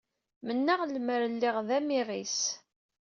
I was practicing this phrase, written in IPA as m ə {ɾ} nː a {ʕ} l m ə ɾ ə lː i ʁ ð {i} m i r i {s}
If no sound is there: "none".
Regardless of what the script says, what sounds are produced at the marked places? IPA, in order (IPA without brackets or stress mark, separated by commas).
none, ʁ, æ, s